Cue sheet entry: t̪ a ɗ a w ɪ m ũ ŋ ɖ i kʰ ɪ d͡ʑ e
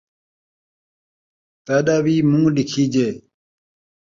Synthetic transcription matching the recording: t̪ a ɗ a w i m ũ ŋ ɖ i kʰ i d͡ʑ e